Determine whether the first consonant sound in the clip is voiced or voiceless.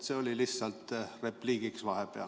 voiceless